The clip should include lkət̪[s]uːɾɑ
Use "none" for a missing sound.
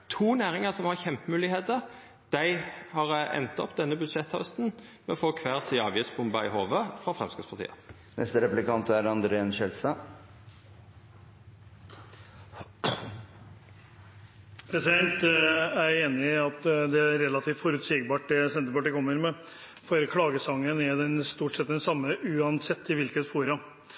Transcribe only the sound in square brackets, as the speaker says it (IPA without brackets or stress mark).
f